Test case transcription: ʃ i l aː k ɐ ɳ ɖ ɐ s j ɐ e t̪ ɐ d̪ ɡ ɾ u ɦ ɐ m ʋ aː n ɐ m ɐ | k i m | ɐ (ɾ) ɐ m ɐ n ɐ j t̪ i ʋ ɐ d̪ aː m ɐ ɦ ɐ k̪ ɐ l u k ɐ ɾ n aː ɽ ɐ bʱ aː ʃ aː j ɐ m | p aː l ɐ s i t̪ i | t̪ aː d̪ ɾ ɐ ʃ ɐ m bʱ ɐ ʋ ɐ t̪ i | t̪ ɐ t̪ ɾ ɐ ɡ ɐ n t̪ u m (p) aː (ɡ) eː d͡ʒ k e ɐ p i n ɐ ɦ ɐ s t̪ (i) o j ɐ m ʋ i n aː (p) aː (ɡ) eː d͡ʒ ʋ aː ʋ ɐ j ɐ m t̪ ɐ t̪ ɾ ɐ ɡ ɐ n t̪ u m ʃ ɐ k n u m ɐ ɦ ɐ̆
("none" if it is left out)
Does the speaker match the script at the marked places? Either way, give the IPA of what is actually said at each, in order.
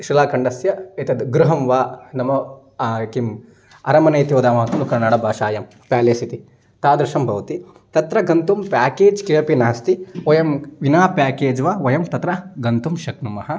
ɾ, p, k, i, p, k

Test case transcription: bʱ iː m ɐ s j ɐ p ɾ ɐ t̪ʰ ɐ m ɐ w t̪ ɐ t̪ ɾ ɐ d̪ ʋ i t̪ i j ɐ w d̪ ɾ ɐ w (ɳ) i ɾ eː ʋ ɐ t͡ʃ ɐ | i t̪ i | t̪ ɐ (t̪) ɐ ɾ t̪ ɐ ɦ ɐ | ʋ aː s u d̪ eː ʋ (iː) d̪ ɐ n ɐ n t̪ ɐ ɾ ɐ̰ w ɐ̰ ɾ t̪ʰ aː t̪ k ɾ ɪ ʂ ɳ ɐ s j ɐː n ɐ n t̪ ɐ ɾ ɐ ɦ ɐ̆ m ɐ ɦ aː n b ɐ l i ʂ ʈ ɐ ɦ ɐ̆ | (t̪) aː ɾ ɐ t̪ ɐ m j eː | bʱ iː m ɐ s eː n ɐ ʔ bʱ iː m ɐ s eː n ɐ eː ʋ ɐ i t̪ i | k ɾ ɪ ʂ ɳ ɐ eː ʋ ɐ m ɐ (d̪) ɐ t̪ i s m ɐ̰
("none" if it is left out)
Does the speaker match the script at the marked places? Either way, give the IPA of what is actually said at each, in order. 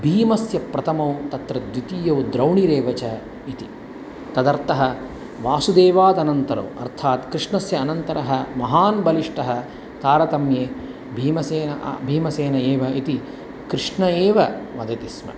ɳ, d̪, aː, t̪, d̪

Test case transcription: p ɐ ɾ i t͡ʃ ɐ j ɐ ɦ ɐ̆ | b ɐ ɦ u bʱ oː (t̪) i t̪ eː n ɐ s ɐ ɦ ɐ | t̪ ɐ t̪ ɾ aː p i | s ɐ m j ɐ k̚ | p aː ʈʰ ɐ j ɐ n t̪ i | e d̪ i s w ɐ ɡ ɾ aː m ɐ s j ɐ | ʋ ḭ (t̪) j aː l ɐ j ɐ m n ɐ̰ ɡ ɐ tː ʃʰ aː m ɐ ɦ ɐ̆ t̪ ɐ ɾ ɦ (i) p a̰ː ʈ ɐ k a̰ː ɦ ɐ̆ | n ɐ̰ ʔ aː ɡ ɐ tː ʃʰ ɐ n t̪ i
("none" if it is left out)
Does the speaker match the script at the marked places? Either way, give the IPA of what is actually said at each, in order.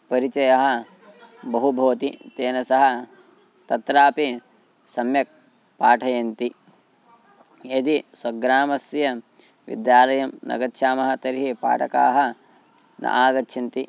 t̪, d̪, i

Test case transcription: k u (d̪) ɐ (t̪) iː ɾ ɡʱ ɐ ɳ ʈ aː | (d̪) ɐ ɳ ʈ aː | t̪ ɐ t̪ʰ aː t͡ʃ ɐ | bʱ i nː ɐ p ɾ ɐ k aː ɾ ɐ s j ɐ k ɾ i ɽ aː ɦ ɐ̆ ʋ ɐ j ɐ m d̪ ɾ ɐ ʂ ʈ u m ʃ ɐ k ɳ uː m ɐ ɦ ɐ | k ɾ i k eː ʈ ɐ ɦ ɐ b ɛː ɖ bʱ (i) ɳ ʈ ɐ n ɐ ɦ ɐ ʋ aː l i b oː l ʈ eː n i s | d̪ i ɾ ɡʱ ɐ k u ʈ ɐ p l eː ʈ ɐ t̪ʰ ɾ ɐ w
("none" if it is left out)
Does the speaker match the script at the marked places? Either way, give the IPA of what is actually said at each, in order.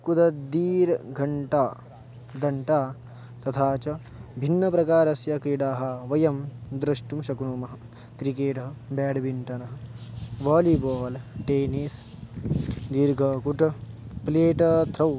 d̪, d̪, d̪, i

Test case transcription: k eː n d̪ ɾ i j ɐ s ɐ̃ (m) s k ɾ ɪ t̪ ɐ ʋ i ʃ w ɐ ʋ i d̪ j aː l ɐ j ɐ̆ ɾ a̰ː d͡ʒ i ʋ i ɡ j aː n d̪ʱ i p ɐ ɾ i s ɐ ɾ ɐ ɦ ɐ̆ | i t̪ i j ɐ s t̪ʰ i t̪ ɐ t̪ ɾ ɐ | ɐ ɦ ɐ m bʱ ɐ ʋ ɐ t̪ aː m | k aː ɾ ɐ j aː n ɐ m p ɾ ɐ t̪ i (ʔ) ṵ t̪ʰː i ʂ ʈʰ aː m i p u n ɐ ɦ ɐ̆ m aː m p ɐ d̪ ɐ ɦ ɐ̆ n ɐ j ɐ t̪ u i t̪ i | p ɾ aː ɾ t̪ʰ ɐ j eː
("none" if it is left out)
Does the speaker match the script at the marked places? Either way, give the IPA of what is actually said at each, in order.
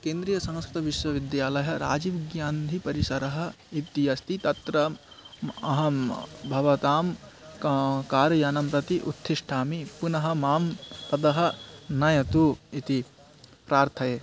ŋ, ʔ

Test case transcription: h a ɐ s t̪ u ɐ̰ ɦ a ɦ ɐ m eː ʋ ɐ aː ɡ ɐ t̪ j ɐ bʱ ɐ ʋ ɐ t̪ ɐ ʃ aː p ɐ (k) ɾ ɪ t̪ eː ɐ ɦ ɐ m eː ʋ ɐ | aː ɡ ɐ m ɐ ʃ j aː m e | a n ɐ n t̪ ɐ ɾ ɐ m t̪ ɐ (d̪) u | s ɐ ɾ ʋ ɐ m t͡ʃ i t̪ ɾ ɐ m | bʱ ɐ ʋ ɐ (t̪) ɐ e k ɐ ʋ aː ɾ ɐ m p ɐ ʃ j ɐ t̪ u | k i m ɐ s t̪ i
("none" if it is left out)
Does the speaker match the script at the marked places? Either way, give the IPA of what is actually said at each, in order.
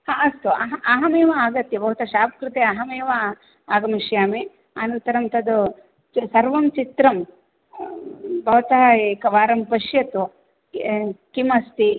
k, d̪, t̪

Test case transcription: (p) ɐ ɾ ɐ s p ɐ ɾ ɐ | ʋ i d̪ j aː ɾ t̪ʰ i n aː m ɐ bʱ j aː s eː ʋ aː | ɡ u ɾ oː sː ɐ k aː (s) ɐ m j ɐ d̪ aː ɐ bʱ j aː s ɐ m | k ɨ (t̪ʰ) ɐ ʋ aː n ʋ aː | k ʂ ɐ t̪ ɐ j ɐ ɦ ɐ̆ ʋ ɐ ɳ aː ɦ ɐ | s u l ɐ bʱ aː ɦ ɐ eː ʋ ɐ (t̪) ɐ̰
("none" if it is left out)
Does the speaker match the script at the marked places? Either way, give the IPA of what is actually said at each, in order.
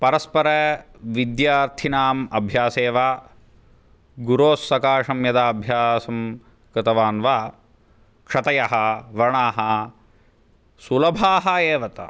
p, ʂ, t̪, t̪

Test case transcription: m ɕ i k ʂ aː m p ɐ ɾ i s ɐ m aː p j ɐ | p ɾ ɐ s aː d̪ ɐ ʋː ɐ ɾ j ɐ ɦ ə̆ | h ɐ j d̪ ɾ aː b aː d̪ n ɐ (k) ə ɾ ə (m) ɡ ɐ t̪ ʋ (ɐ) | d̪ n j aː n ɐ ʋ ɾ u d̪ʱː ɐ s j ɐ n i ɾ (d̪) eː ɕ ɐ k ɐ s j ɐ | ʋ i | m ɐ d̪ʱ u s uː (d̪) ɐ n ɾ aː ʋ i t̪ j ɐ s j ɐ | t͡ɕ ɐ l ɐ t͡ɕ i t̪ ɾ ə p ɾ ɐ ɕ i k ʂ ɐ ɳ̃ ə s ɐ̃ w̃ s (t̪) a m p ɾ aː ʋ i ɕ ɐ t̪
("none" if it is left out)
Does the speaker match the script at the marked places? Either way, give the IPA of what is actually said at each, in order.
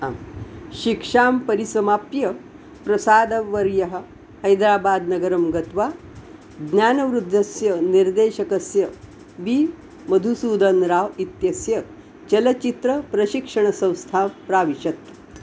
ɡ, m, a, d̪, d̪, t̪ʰ

